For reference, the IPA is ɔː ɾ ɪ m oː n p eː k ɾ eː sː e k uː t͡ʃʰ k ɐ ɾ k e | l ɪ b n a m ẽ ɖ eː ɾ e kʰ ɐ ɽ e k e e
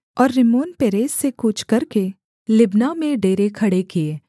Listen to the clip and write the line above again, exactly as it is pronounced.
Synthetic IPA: ɔː ɾː ɪ m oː n p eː ɾ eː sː e k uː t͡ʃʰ k ɐ ɾ k e | l ɪ b n a m ẽ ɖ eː ɾ e kʰ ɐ ɽ e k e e